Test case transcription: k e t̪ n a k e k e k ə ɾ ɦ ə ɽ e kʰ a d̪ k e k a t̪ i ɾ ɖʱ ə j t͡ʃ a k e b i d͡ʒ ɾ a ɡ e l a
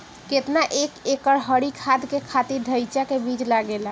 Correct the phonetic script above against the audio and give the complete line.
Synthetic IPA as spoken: k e t̪ n a ʔ e k e k ə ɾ ɦ ə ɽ i kʰ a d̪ k e kʰ a t̪ i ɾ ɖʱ ə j t͡ʃ a k e b i d͡ʒ l a ɡ e l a